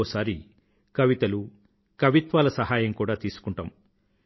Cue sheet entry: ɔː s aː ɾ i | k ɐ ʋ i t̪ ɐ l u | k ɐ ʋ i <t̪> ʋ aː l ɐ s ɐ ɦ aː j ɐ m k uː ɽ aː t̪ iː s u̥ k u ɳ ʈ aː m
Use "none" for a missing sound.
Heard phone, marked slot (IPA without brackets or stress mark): t̪